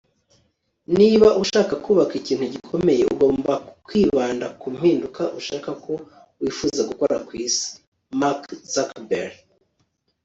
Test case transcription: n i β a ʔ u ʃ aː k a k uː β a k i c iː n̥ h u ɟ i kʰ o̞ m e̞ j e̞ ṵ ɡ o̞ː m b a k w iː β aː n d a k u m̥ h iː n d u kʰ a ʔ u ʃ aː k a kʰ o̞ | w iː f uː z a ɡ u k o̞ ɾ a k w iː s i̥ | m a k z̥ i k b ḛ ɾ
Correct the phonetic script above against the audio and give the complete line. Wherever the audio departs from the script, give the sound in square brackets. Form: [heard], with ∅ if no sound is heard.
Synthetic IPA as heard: n i β a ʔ u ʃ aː k a k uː β a k i c iː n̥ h u ɟ i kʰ o̞ m e̞ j e̞ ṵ ɡ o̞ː m b a k w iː β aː n d a k u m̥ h iː n d u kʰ a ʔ u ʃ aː k a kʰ o̞ | w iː f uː z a ɡ u k o̞ ɾ a k w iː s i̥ | m a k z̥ [a] k b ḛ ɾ